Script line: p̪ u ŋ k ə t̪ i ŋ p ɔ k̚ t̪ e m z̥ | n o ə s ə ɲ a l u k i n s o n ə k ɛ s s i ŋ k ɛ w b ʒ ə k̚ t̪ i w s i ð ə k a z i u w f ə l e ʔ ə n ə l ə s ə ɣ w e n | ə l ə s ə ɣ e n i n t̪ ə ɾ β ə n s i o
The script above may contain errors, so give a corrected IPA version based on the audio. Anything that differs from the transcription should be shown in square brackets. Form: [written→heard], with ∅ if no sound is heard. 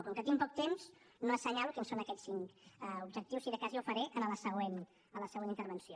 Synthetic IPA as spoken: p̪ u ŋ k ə t̪ i ŋ p ɔ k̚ t̪ e m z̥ | n o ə s ə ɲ a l u k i n s o n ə k ɛ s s i ŋ k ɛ [w→u] b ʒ ə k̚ t̪ i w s i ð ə k a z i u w f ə [l→ɾ] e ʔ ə n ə l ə s ə ɣ w e n | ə l ə s ə ɣ e n i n t̪ ə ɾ β ə n s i o